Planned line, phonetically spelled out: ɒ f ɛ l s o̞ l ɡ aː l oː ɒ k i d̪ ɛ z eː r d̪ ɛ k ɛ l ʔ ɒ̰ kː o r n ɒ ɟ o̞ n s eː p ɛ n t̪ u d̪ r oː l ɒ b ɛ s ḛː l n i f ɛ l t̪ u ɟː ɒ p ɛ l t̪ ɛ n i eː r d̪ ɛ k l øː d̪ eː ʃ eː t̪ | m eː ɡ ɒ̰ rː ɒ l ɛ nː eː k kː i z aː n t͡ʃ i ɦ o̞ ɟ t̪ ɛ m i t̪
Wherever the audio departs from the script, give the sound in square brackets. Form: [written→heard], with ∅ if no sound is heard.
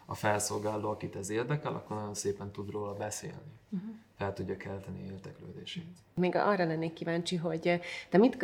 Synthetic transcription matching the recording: ɒ f ɛ l s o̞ l ɡ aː l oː ɒ k i [d̪→t̪] ɛ z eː r d̪ ɛ k ɛ l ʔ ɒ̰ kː o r n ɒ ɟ o̞ n s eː p ɛ n t̪ u d̪ r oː l ɒ b ɛ s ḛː l n i f ɛ l t̪ u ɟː ɒ [p→k] ɛ l t̪ ɛ n i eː r d̪ ɛ k l øː d̪ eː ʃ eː t̪ | m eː ɡ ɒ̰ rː ɒ l ɛ nː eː k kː i [z→v] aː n t͡ʃ i ɦ o̞ ɟ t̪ ɛ m i t̪